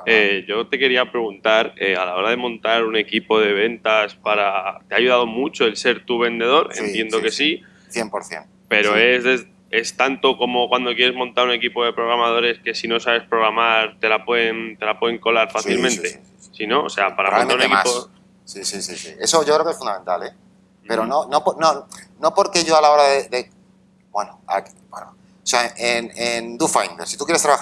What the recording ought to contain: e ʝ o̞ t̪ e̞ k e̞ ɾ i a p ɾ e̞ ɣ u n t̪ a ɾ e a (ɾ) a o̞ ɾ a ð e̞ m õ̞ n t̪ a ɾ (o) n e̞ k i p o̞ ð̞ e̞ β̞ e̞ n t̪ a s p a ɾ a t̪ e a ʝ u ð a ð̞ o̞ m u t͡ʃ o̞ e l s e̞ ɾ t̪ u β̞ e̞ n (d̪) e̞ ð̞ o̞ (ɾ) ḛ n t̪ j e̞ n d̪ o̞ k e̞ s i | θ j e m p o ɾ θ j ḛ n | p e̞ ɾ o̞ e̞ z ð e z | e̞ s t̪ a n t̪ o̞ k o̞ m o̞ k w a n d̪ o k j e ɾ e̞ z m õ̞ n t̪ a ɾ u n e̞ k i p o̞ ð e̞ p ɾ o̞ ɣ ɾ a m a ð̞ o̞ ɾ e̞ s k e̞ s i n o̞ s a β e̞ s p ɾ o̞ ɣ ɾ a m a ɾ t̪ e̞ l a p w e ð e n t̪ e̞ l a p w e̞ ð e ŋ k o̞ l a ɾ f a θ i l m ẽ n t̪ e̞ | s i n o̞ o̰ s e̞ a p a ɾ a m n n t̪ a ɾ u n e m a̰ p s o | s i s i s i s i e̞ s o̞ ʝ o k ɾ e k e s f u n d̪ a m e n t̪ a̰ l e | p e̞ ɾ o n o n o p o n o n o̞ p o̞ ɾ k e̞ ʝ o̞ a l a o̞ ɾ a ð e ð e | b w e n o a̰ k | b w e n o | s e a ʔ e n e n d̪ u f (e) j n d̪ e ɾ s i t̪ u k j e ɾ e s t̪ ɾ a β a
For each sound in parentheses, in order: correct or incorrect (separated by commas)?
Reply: incorrect, incorrect, correct, correct, incorrect